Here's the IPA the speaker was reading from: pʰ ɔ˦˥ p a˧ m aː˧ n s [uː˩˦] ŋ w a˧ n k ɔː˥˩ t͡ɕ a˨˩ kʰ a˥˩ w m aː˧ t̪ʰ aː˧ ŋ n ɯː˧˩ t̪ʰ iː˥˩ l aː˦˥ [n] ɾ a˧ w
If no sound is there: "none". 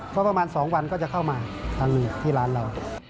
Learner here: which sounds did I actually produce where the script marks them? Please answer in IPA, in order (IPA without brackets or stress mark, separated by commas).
ɔː˩˦, n